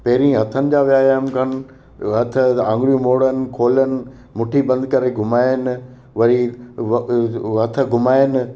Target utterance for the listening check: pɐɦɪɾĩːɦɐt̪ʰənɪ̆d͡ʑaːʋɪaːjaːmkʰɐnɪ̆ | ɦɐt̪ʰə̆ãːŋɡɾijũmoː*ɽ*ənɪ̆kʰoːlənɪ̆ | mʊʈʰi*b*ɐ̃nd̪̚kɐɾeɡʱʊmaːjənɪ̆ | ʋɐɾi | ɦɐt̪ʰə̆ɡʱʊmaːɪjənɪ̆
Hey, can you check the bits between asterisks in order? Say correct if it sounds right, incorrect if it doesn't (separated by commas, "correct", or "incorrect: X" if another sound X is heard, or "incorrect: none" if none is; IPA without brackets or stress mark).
correct, correct